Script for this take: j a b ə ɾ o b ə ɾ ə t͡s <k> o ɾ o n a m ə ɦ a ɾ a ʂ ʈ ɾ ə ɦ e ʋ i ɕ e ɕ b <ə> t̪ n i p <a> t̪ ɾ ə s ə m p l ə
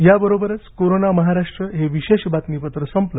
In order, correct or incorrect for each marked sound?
correct, incorrect: a, incorrect: ə

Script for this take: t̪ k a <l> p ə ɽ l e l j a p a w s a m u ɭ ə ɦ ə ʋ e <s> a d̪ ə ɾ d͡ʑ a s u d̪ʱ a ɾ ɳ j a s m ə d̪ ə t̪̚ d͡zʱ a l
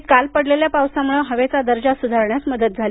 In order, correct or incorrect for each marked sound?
correct, incorrect: t͡s

